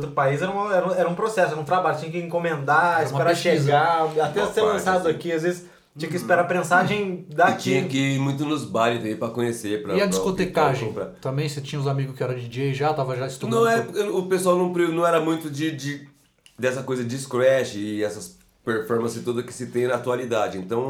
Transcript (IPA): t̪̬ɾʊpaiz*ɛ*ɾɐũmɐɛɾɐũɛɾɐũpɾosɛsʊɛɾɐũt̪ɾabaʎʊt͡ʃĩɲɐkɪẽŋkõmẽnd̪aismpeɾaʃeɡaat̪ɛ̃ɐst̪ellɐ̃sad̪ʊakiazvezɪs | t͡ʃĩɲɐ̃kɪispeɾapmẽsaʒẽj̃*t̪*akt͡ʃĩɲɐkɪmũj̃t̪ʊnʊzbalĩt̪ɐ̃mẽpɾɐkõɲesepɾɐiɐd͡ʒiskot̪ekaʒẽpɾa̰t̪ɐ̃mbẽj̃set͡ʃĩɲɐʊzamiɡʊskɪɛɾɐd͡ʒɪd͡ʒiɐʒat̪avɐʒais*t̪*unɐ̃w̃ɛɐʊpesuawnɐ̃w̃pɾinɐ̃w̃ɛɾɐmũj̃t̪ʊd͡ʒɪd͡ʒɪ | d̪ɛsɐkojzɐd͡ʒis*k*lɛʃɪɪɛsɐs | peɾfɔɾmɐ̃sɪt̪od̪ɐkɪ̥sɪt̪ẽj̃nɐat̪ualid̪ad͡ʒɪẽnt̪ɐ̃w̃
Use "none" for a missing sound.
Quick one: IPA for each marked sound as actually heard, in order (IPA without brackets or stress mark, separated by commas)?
ɛ, d̪, t̪, k